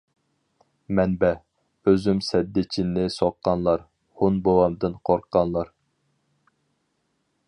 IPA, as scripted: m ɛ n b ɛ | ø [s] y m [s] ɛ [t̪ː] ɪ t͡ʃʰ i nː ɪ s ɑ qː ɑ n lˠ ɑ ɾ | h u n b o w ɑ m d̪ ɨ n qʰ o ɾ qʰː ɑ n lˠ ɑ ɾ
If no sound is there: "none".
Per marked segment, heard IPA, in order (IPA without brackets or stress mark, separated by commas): z, s, d̪ː